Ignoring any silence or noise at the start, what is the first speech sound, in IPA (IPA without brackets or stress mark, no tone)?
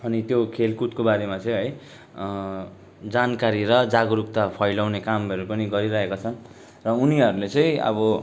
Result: ʌ